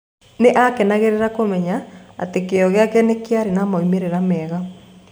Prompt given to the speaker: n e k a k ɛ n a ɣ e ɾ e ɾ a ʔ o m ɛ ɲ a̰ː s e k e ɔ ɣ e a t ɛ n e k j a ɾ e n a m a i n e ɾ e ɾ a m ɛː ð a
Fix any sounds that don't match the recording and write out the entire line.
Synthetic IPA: n e ʔ a k ɛ n a ɣ e ɾ e ɾ a k o m ɛ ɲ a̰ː t e k e ɔ ɣ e a k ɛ n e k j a ɾ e n a m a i m e ɾ e ɾ a m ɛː ɣ a

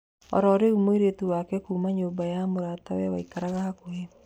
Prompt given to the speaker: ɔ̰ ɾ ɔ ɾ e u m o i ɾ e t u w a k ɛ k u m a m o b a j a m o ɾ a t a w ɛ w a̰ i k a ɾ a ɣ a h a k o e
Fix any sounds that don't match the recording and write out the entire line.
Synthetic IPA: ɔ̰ ɾ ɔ ɾ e u m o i ɾ e t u w a k ɛ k u m a ɲ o b a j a m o ɾ a t a w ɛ w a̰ i k a ɾ a ɣ a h a k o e

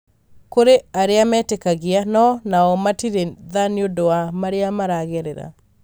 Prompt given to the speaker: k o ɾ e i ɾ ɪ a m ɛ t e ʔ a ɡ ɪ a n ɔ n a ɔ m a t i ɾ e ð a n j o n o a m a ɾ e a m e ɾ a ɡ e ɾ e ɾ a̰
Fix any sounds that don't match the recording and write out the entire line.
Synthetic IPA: k o ɾ e a ɾ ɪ a m ɛ t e k a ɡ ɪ a n ɔ n a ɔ m a t i ɾ e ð a n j o d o a m a ɾ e a m a ɾ a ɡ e ɾ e ɾ a̰

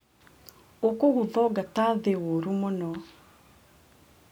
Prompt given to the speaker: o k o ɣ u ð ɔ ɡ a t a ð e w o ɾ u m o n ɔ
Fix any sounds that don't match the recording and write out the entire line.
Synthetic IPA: o k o ɣ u ð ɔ ɡ a t a ð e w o ɾ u m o n ɔ

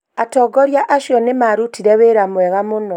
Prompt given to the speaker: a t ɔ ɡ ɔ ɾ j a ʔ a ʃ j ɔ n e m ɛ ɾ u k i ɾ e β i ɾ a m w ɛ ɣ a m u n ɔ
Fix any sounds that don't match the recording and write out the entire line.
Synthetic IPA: a t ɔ ɡ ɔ ɾ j a ʔ a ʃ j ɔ n e m a ɾ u t i ɾ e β e ɾ a m w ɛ ɣ a m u n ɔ

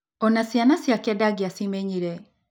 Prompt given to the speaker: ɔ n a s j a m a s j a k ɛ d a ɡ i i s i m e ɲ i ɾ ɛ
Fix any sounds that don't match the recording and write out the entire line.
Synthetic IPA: ɔ n a s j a n a s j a k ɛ d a ɡ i a s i m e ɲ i ɾ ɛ

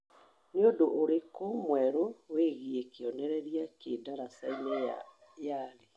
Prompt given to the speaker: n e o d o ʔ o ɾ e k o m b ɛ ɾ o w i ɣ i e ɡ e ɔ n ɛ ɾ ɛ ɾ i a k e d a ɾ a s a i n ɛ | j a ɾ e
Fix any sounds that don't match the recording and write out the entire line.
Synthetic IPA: n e o d o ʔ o ɾ e k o m w ɛ ɾ o w e ɣ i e k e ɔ n ɛ ɾ ɛ ɾ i a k e d a ɾ a s a i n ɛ | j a ɾ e

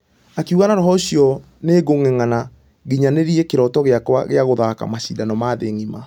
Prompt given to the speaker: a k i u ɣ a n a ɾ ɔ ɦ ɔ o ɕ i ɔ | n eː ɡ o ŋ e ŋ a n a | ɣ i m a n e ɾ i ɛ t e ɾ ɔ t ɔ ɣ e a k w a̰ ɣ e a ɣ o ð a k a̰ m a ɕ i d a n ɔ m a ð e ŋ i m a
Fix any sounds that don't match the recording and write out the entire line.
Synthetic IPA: a k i u ɣ a n a ɾ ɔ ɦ ɔ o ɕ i ɔ | n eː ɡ o ŋ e ŋ a n a | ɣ i ɲ a n e ɾ i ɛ k e ɾ ɔ t ɔ ɣ e a k w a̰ ɣ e a ɣ o ð a k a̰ m a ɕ i d a n ɔ m a ð e ŋ i m a

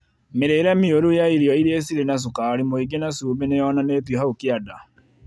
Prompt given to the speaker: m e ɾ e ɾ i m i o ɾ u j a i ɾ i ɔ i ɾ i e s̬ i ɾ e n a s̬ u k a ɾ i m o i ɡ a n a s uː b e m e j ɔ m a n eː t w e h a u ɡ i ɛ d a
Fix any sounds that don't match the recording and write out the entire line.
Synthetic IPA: m e ɾ e ɾ ɛ m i o ɾ u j a i ɾ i ɔ i ɾ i e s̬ i ɾ e n a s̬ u k a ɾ i m o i ɡ e n a s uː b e n e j ɔ n a n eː t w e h a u k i a d a

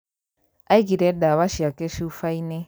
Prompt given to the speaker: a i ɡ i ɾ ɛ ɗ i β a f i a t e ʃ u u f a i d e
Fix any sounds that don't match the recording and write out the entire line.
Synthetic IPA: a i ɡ i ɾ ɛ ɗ a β a ʃ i a k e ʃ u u f a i n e

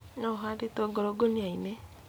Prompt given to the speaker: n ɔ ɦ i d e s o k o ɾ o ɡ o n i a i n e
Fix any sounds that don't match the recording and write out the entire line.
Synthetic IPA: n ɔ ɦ a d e t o ɡ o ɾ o ɡ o n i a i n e

